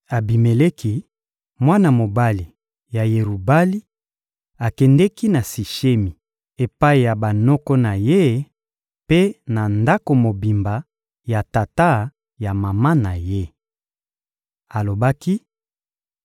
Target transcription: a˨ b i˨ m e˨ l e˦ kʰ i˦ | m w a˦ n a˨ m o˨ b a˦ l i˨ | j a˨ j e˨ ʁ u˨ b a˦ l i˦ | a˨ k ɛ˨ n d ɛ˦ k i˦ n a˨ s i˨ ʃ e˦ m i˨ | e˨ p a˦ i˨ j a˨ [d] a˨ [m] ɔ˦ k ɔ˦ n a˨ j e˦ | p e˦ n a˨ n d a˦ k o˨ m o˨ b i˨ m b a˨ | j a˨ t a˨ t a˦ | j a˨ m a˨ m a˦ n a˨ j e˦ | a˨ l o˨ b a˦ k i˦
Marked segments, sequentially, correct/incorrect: incorrect: b, incorrect: n

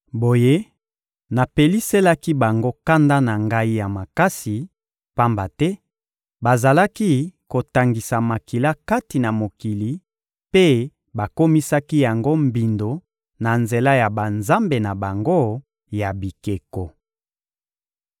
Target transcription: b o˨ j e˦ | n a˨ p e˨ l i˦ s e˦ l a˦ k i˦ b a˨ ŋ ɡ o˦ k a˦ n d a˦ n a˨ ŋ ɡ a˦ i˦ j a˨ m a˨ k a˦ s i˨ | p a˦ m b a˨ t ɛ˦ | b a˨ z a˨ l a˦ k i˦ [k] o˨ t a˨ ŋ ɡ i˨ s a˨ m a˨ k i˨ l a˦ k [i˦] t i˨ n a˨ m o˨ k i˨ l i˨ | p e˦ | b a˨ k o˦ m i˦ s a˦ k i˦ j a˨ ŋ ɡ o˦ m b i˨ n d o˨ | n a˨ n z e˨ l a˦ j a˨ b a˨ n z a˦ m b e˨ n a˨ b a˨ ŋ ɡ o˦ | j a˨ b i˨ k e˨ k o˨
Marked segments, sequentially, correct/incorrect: correct, incorrect: a˦

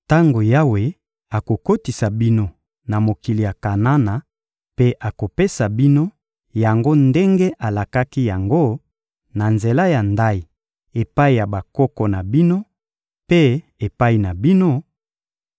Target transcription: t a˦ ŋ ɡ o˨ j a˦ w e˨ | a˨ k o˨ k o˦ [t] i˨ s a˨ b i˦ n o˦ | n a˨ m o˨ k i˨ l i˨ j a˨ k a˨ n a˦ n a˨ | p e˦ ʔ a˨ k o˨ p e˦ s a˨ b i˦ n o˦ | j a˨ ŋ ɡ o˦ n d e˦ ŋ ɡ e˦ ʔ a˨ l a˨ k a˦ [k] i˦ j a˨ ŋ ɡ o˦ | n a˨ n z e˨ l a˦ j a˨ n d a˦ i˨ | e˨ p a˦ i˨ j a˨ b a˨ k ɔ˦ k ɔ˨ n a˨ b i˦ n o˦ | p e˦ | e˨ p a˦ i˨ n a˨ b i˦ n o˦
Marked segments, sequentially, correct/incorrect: correct, correct

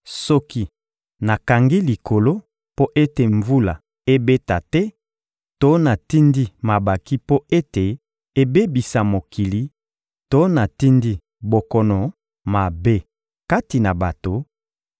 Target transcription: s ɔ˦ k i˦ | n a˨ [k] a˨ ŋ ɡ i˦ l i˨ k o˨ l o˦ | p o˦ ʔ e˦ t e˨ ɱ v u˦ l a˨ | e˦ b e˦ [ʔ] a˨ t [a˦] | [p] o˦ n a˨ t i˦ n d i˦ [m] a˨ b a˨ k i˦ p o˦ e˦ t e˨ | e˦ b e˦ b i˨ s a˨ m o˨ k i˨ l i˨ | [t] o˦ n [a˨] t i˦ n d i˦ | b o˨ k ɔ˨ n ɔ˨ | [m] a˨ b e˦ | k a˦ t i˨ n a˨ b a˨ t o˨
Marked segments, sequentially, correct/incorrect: correct, incorrect: t, incorrect: ɛ˦, incorrect: t, correct, correct, correct, correct

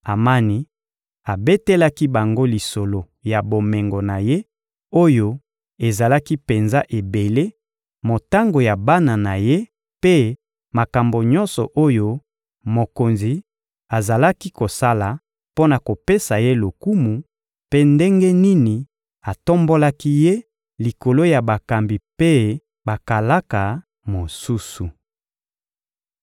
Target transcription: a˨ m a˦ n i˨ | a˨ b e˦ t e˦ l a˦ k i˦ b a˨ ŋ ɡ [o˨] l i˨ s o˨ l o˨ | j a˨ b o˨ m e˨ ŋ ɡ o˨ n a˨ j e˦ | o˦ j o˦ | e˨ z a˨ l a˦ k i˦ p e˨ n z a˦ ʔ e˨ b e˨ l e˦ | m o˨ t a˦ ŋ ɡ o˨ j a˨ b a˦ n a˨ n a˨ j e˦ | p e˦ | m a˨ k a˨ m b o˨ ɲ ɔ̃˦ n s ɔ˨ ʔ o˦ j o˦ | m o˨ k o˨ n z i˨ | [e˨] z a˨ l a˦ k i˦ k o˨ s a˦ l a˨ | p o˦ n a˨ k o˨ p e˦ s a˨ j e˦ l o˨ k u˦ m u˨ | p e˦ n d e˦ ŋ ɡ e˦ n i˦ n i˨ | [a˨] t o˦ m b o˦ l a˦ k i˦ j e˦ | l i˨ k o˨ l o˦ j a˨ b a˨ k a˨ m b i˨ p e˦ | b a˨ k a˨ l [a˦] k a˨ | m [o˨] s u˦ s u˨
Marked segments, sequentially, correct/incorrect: incorrect: o˦, incorrect: a˨, correct, correct, correct

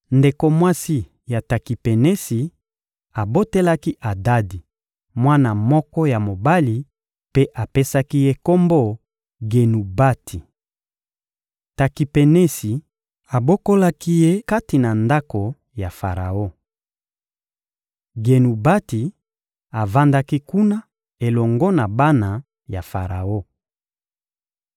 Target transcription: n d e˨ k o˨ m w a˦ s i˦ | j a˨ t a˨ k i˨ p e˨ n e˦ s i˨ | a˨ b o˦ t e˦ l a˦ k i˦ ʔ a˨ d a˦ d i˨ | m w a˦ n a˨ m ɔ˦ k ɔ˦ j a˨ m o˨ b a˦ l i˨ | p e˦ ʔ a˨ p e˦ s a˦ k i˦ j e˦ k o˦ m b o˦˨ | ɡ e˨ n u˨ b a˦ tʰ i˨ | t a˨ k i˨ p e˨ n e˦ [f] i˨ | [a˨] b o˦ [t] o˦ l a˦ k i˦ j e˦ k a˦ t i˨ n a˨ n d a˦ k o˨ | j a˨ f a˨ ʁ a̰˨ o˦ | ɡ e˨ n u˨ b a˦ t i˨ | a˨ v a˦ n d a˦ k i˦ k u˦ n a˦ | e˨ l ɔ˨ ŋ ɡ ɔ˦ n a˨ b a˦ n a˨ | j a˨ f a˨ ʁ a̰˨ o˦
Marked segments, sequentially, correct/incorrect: incorrect: s, correct, incorrect: k

